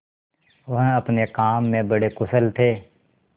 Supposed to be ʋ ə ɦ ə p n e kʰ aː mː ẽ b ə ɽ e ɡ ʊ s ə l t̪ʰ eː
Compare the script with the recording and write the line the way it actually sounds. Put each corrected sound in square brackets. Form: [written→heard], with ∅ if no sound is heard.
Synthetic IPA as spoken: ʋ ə ɦ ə p n e [kʰ→k] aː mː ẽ b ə ɽ e [ɡ→k] ʊ s ə l t̪ʰ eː